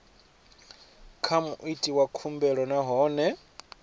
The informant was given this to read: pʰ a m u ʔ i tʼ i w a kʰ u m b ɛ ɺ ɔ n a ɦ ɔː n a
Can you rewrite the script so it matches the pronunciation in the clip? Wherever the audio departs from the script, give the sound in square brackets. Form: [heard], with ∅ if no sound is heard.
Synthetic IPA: [kʰ] a m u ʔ i tʼ i w a kʰ u m b ɛ ɺ ɔ n a ɦ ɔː n [ɛ]